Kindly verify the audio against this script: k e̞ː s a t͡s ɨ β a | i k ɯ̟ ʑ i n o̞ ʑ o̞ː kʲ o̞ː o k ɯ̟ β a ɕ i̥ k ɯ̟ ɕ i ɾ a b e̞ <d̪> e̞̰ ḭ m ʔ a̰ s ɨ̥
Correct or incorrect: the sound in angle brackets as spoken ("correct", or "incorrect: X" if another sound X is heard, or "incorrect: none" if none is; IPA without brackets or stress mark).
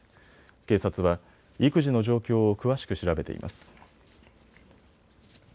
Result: incorrect: t̪